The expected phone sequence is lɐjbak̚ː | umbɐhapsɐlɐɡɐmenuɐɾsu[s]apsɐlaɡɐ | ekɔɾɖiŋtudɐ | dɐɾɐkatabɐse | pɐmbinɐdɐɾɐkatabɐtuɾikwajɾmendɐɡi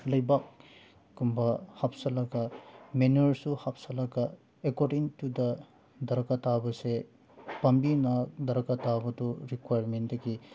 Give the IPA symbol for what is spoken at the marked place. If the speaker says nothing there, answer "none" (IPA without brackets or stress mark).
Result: h